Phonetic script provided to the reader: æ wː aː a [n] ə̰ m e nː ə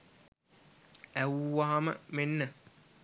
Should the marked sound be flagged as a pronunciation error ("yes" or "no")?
yes